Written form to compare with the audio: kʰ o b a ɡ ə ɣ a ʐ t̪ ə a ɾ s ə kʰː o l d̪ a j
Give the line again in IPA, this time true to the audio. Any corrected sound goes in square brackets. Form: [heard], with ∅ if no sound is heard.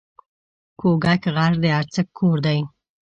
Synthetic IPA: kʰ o [ɡ] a [k] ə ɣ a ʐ [d̪] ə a ɾ [t͡s] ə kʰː o [ɾ] d̪ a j